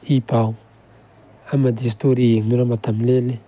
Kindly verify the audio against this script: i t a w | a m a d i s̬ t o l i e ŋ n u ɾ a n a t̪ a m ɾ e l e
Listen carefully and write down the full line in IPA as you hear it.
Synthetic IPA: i p a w | a m a d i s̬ t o ɾ i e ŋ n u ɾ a m a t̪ a m l e l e